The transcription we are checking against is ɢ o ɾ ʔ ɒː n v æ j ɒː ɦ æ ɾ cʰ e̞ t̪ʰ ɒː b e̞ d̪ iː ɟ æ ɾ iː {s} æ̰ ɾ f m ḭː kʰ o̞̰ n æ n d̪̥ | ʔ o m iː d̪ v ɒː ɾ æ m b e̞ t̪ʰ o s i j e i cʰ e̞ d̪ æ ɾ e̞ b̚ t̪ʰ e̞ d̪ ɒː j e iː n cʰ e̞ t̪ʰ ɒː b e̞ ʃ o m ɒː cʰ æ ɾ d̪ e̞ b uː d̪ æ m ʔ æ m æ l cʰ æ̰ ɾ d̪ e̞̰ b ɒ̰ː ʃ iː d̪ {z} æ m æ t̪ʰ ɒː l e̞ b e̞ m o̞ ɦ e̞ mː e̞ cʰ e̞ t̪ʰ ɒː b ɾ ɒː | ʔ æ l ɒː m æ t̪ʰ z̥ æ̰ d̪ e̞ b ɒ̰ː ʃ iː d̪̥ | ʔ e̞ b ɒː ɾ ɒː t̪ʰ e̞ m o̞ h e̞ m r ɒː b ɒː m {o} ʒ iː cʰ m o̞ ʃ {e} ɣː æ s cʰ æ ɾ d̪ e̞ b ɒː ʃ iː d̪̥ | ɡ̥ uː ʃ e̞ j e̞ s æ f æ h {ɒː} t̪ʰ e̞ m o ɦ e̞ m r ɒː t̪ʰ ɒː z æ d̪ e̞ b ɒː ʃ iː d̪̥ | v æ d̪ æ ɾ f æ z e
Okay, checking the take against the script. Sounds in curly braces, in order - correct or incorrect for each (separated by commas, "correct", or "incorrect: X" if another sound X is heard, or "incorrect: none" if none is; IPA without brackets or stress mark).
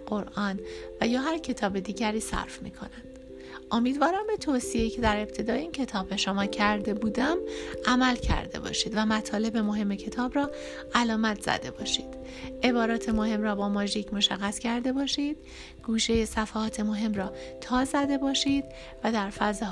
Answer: correct, incorrect: v, incorrect: ɒ, incorrect: æ, correct